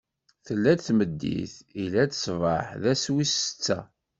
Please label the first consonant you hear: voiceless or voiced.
voiceless